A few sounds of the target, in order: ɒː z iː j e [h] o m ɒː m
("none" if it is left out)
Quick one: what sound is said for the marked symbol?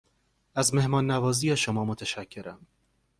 ʃ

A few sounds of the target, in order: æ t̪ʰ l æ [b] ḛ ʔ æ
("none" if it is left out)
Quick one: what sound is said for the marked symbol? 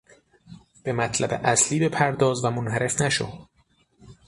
b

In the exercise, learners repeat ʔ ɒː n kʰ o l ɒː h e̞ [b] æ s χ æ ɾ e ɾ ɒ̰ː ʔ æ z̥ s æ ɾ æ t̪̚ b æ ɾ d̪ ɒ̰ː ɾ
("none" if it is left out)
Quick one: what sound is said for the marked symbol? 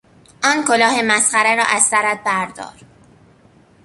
m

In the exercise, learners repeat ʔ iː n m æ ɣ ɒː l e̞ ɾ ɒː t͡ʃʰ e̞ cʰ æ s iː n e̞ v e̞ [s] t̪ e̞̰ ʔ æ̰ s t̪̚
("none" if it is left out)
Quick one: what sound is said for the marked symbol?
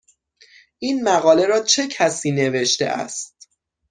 ʃ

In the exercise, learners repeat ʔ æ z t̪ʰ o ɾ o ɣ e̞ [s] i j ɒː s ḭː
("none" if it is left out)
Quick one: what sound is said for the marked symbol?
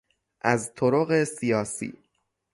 s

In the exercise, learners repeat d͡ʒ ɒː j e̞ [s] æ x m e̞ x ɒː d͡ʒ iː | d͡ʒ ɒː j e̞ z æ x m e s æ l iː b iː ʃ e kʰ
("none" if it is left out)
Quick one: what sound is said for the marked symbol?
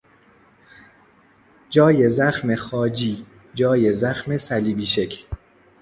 z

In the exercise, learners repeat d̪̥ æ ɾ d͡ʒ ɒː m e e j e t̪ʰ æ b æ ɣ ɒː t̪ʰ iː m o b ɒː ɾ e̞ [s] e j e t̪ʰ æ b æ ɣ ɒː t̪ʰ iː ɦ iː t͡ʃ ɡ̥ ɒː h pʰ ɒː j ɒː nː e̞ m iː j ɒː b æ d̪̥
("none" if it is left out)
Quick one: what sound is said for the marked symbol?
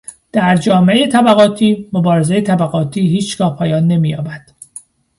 z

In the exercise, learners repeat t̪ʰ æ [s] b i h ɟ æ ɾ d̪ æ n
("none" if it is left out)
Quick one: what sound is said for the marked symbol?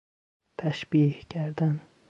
ʃ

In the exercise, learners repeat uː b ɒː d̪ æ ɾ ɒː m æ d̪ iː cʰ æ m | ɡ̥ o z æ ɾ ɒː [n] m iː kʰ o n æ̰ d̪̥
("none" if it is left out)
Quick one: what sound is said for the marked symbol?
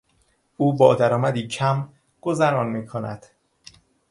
n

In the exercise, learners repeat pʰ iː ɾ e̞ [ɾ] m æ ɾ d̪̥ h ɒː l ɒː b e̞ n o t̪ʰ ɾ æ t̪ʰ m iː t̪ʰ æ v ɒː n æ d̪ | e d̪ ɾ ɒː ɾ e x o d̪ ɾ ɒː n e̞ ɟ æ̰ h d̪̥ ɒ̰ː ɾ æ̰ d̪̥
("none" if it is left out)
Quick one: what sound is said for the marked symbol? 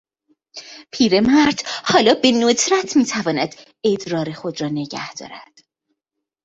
none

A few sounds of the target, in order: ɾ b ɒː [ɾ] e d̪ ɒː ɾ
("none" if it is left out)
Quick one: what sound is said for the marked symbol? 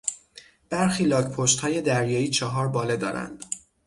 l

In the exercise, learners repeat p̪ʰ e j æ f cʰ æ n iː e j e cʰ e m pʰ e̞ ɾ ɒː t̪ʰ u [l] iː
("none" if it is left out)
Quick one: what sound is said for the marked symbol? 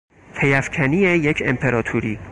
ɾ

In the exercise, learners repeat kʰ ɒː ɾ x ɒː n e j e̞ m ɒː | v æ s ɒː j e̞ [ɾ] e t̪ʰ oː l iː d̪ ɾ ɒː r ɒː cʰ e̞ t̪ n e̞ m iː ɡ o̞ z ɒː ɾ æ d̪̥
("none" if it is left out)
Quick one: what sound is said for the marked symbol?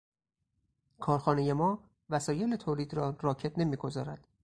l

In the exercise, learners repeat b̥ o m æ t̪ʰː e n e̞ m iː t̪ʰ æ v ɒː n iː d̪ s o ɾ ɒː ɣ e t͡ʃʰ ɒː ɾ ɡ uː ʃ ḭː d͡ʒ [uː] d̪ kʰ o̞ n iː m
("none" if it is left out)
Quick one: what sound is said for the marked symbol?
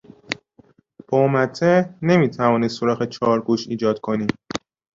ɒː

